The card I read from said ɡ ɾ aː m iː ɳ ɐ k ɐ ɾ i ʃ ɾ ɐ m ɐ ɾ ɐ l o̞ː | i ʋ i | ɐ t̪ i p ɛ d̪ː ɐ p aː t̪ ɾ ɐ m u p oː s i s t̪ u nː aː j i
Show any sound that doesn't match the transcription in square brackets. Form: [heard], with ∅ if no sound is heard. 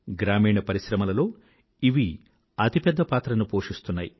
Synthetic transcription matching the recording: ɡ ɾ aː m iː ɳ ɐ [p] ɐ ɾ i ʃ ɾ ɐ m ɐ [l] ɐ l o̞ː | i ʋ i | ɐ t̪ i p ɛ d̪ː ɐ p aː t̪ ɾ ɐ [n] u p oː [ʂ] i s t̪ u nː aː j i